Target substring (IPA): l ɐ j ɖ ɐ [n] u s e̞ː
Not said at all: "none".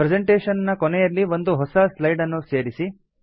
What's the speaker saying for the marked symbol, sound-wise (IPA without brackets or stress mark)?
nː